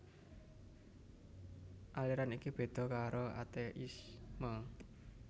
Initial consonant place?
glottal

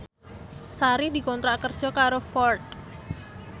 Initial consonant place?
alveolar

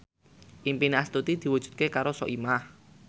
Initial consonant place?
glottal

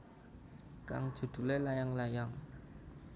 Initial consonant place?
velar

